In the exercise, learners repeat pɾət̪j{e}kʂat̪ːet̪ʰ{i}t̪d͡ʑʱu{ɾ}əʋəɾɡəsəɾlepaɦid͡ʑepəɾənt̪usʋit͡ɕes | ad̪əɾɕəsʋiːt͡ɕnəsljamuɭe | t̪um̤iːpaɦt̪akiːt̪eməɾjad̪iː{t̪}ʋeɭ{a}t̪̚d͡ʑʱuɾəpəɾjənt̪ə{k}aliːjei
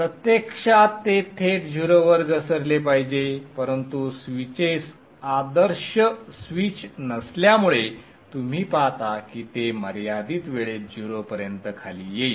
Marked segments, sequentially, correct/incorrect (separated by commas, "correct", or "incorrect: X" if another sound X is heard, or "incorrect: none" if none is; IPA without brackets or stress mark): correct, incorrect: e, correct, correct, incorrect: e, incorrect: kʰ